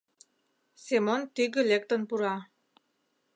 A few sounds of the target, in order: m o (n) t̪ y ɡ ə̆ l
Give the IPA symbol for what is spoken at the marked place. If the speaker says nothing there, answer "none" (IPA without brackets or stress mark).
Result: n